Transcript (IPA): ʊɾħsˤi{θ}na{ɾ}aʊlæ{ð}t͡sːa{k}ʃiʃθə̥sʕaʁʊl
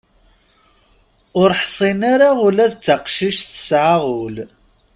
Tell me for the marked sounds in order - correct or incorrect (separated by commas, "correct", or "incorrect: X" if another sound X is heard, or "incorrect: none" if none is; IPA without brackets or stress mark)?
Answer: incorrect: none, correct, correct, incorrect: q